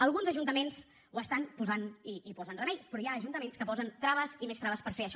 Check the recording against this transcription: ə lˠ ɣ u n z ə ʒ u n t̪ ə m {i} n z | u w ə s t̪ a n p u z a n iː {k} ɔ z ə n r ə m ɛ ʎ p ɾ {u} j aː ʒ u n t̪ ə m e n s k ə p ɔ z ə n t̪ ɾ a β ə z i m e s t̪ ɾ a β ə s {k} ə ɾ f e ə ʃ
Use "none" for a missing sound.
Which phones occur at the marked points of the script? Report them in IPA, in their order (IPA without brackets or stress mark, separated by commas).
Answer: e, p, ɔ, p